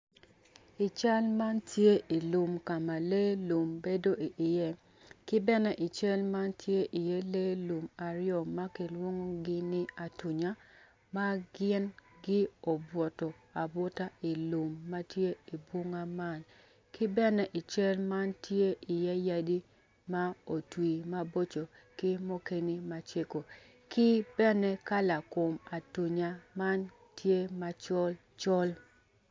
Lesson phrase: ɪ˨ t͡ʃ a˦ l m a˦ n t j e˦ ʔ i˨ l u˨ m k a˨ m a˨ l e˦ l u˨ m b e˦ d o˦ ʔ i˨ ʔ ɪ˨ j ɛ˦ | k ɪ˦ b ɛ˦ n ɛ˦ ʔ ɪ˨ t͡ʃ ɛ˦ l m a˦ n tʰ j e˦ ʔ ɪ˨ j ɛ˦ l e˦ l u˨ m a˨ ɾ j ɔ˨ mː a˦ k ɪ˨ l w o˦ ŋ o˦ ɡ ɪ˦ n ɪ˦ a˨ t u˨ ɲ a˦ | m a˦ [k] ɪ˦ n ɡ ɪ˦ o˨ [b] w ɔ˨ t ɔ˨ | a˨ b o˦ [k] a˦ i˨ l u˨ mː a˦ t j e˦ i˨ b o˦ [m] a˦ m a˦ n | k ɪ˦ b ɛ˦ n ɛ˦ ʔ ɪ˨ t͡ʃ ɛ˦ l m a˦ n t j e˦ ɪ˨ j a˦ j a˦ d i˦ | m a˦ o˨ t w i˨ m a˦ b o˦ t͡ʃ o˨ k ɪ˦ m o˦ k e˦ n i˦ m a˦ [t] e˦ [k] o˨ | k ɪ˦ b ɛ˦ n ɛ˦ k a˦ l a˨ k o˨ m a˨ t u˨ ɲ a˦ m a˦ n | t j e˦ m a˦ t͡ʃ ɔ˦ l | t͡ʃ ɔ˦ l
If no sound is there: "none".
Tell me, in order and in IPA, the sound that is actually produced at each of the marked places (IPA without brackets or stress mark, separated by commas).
ɡ, b, t, ŋ, t͡ʃ, k